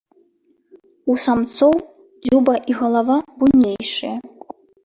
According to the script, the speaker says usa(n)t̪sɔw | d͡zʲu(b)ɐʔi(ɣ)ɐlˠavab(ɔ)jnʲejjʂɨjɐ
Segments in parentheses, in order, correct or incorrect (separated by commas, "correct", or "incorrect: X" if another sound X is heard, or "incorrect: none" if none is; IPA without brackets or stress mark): incorrect: m, correct, correct, incorrect: u